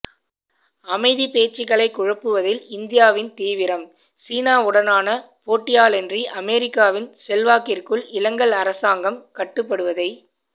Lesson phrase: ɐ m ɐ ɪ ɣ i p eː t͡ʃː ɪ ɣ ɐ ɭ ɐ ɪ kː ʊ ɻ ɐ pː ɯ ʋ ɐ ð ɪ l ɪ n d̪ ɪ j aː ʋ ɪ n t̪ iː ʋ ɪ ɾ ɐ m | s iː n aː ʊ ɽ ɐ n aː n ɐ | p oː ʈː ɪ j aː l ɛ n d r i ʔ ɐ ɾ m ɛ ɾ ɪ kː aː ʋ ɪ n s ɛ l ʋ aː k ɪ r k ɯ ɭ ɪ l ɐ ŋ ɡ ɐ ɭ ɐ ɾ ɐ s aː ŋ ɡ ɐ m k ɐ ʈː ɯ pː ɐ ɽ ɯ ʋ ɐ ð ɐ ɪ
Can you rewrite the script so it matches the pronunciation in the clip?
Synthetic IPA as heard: ɐ m ɐ ɪ ð i p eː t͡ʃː ɪ ɣ ɐ ɭ ɐ ɪ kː ʊ ɻ ɐ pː ɯ ʋ ɐ ð ɪ l ɪ n d̪ ɪ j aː ʋ ɪ n t̪ iː ʋ ɪ ɾ ɐ m | s iː n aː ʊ ɽ ɐ n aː n ɐ | p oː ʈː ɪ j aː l ɛ n d r i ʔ ɐ m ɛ ɾ ɪ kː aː ʋ ɪ n s ɛ l ʋ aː k ɪ r k ɯ ɭ ɪ l ɐ ŋ ɡ ɐ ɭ ɐ ɾ ɐ s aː ŋ ɡ ɐ m k ɐ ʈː ɯ pː ɐ ɽ ɯ ʋ ɐ ð ɐ ɪ

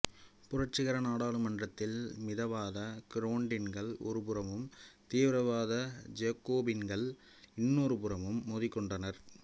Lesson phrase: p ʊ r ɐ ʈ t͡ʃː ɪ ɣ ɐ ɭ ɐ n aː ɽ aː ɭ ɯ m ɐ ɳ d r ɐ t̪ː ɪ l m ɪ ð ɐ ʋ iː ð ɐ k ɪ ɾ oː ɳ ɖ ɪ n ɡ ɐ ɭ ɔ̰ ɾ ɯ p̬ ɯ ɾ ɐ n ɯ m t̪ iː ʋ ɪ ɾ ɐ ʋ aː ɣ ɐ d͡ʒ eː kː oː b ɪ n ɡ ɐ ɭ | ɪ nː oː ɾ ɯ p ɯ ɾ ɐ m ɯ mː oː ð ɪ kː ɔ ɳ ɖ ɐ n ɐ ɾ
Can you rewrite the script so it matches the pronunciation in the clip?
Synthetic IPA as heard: p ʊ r ɐ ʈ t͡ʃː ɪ ɣ ɐ ɾ ɐ n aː ɽ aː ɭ ɯ m ɐ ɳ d r ɐ t̪ː ɪ l m ɪ ð ɐ ʋ aː ð ɐ k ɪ ɾ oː ɳ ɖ ɪ n ɡ ɐ ɭ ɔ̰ ɾ ɯ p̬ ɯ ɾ ɐ m ɯ m t̪ iː ʋ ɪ ɾ ɐ ʋ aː ð ɐ d͡ʒ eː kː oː b ɪ n ɡ ɐ ɭ | ɪ nː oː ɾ ɯ p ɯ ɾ ɐ m ɯ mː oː ð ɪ kː ɔ ɳ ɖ ɐ n ɐ ɾ

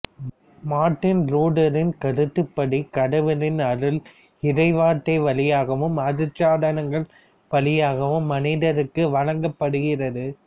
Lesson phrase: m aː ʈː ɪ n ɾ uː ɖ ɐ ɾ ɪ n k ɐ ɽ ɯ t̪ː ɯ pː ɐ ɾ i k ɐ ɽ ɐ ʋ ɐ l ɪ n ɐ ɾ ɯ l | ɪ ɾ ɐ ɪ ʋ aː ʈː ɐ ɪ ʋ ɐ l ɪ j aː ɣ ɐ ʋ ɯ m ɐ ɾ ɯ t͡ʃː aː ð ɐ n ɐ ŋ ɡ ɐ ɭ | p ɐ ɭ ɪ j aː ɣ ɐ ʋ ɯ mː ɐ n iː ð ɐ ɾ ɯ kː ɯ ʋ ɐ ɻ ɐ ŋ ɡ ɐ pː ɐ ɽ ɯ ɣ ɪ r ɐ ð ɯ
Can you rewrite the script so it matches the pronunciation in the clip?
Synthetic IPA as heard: m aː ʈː ɪ n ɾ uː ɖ ɐ ɾ ɪ n k ɐ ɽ ɯ t̪ː ɯ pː ɐ ɽ i k ɐ ɽ ɐ ʋ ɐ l ɪ n ɐ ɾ ɯ l | ɪ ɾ ɐ ɪ ʋ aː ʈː ɐ ɪ ʋ ɐ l ɪ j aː ɣ ɐ ʋ ɯ m ɐ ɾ ɯ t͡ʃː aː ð ɐ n ɐ ŋ ɡ ɐ ɭ | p ɐ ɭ ɪ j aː ɣ ɐ ʋ ɯ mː ɐ n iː ð ɐ ɾ ɯ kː ɯ ʋ ɐ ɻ ɐ ŋ ɡ ɐ pː ɐ ɽ ɯ ɣ ɪ r ɐ ð ɯ

